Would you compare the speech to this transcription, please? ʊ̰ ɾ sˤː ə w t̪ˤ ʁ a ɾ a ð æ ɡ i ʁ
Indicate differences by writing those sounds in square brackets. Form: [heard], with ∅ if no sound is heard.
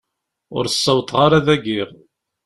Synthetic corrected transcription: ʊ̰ ɾ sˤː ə w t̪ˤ ʁ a ɾ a ð æ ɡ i ʁ